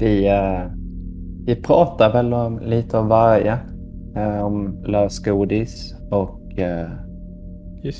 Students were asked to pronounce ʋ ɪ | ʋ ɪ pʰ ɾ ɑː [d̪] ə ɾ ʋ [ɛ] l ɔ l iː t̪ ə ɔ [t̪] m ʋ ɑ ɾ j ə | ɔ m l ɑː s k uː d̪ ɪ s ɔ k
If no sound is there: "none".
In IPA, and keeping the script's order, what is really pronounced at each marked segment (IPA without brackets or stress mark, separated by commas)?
t̪, ɛ, none